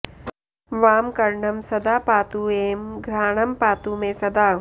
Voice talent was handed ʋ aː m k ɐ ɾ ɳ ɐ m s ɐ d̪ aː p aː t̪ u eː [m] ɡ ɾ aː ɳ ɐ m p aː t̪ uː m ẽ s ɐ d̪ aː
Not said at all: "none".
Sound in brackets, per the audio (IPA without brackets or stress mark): m